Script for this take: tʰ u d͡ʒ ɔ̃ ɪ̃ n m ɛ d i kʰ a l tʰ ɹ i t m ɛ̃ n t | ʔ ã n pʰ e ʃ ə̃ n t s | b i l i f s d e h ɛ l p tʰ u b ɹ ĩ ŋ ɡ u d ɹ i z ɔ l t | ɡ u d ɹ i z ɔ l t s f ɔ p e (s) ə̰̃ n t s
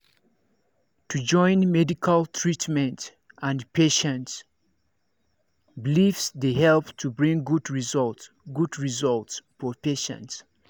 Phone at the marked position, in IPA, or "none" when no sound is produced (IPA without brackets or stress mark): ʃ